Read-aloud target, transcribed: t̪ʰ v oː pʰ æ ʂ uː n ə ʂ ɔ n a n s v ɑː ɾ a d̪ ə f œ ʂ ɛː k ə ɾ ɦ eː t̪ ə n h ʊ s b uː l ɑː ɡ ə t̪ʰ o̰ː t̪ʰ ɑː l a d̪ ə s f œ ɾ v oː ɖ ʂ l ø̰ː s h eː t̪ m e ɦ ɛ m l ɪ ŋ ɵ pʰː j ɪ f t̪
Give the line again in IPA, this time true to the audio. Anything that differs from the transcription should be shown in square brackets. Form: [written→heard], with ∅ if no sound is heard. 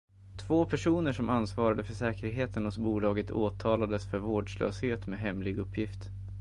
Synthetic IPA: t̪ʰ v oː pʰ æ ʂ uː n ə ʂ ɔ [n→m] a n s v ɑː ɾ a d̪ ə f œ ʂ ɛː k ə ɾ ɦ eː t̪ ə n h ʊ s b uː l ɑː ɡ ə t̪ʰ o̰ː t̪ʰ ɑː l a d̪ ə s f œ ɾ v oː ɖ ʂ l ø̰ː s h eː t̪ m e ɦ ɛ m l ɪ [ŋ→ɡ] ɵ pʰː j ɪ f t̪